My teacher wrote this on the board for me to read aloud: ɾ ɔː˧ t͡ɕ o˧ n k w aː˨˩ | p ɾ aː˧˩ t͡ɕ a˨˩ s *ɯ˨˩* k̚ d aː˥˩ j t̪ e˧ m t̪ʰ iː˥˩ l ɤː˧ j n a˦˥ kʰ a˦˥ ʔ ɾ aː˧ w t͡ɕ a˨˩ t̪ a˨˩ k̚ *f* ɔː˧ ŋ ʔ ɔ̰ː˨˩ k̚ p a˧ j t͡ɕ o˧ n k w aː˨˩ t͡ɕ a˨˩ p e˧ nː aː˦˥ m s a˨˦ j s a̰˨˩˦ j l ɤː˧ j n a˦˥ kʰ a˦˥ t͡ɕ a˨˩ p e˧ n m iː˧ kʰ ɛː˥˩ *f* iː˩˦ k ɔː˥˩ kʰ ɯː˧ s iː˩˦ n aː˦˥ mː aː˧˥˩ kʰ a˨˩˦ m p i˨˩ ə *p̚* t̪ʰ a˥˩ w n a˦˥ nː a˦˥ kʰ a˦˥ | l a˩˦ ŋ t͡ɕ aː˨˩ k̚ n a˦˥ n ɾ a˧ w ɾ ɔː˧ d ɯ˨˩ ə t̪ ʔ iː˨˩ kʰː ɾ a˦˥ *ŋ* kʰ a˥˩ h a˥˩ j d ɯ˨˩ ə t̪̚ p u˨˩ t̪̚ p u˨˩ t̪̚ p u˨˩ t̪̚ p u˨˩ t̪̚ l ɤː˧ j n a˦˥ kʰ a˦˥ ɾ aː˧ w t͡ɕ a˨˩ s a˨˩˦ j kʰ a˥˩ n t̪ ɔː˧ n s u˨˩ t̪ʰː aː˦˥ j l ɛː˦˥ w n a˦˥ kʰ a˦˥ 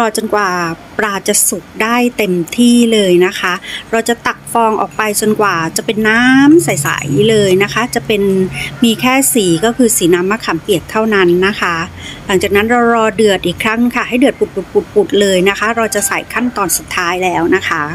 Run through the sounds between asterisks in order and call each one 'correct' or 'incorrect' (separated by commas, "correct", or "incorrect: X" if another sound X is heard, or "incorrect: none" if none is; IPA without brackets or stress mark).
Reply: incorrect: u˨˩, correct, incorrect: s, incorrect: k̚, correct